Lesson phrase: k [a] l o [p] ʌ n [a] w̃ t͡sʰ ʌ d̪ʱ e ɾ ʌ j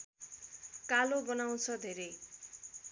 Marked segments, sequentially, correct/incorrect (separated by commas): correct, incorrect, correct